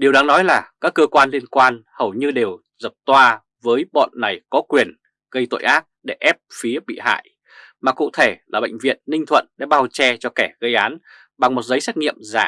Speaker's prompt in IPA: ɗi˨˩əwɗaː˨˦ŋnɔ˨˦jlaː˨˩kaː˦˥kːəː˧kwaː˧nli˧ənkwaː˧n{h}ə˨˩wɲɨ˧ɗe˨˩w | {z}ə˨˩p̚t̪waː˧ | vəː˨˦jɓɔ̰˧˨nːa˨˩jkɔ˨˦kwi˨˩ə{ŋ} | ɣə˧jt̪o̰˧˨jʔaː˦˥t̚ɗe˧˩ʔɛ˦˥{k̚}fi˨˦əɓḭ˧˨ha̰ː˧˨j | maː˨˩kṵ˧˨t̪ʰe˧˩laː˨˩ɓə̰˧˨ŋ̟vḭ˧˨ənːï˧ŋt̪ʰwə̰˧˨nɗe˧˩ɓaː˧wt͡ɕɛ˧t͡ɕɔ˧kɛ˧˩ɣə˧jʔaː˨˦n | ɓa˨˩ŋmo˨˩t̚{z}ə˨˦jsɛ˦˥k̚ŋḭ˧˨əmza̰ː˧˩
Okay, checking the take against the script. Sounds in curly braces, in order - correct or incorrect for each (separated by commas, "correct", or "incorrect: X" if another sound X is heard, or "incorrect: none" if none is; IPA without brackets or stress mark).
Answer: correct, correct, incorrect: n, incorrect: p̚, correct